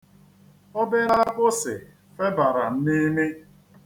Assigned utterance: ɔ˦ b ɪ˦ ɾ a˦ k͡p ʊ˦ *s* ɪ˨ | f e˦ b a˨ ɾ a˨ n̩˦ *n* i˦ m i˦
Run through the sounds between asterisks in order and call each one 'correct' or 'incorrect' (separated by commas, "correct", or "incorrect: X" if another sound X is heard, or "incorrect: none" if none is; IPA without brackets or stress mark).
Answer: correct, correct